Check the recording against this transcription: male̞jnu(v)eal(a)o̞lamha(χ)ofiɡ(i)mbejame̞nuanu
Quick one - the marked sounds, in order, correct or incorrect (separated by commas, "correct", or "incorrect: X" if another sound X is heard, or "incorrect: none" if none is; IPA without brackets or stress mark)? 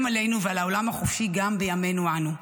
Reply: correct, correct, correct, incorrect: a